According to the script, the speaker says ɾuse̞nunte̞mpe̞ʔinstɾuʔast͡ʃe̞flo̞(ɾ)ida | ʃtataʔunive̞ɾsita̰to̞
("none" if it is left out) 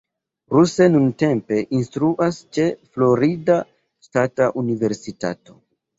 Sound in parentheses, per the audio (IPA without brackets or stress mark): ɾ